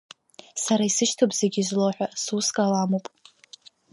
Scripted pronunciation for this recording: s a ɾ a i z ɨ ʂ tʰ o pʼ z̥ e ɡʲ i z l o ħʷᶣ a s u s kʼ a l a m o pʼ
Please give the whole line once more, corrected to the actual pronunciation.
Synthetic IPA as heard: s a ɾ a i s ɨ ʃ tʰ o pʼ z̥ e ɡʲ i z l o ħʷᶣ a s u s kʼ a l a m o pʼ